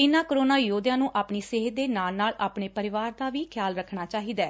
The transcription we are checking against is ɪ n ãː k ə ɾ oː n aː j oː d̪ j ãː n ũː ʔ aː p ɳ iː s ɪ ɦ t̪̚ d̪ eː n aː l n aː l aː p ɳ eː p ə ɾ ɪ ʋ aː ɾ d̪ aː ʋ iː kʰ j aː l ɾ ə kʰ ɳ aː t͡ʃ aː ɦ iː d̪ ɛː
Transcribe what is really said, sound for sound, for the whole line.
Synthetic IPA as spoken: ɪ n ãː k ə ɾ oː n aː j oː d̪ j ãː n ũː ʔ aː p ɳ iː s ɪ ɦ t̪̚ d̪ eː n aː l n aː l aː p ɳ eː p ə ɾ ɪ ʋ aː ɾ d̪ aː ʋ iː kʰ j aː l ɾ ə kʰ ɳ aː t͡ʃ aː ɦ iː d̪ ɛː